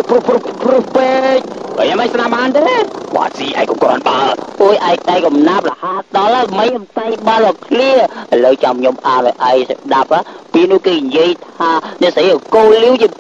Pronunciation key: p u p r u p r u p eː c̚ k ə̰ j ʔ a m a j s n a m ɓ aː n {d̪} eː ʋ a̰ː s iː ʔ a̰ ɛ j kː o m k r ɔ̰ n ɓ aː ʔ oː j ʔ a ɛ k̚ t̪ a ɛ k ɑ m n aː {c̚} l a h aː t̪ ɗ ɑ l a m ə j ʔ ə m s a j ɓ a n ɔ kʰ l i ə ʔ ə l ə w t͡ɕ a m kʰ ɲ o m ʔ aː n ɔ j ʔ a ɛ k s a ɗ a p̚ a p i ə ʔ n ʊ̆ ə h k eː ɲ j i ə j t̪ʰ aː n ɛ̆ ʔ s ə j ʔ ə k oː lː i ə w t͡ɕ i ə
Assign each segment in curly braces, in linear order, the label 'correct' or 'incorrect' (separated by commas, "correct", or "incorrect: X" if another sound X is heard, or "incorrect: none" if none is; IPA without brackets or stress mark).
incorrect: t̪, incorrect: p̚